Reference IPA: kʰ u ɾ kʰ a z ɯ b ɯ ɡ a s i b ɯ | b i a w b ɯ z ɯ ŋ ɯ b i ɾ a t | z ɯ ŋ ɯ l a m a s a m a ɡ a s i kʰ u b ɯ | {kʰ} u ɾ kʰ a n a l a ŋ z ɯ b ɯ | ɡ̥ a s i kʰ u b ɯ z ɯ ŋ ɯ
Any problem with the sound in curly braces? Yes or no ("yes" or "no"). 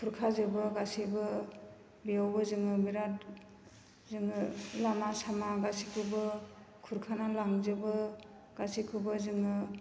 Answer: no